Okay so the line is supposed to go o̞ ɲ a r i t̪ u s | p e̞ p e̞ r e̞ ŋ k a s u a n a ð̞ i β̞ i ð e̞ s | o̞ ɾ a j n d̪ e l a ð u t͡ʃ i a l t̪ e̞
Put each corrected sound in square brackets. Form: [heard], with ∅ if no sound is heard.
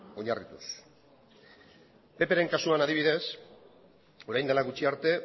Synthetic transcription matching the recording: o̞ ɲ a r i t̪ u s | p e̞ p e̞ [ɾ] e̞ ŋ k a s u a n a ð̞ i β̞ i ð e̞ s | o̞ ɾ a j n d̪ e l a [ɣ] u t͡ʃ i a [ɾ] t̪ e̞